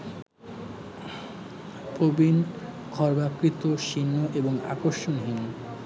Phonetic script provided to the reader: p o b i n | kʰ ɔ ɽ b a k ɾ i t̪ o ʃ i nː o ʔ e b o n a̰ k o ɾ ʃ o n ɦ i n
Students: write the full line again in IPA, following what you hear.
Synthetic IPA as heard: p o b i n | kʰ ɔ ɾ b a k ɾ i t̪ o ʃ i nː o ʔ e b o ŋ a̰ k o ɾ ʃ o n ɦ i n